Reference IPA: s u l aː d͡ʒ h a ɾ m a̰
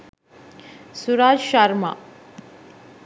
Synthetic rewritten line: s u ɾ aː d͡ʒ ʃ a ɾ m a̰